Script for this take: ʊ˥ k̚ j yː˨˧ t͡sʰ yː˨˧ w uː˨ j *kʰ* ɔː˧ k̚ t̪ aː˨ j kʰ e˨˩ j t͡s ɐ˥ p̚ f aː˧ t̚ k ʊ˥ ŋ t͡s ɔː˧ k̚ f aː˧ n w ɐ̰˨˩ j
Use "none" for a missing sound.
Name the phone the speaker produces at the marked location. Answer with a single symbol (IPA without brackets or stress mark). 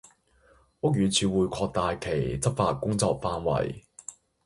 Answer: kʰ